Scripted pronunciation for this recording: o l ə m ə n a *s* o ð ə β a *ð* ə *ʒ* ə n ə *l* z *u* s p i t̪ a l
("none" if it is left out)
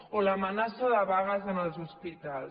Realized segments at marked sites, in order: s, ɣ, z, l, u

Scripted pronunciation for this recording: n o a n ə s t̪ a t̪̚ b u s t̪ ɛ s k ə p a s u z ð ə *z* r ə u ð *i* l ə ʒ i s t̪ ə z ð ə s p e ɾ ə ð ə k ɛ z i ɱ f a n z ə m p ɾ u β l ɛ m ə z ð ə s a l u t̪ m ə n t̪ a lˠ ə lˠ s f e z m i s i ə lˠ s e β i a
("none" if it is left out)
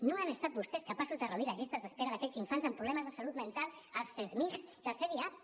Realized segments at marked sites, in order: none, i

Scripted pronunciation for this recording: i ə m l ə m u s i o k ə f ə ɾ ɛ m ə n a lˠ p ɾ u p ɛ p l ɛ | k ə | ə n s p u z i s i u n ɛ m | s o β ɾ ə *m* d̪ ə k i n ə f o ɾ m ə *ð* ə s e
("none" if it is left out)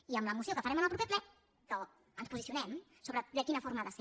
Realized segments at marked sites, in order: none, ð

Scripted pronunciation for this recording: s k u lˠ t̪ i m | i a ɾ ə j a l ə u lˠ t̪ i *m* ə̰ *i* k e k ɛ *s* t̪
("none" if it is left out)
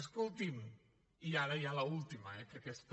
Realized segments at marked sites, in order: m, ɛ, s

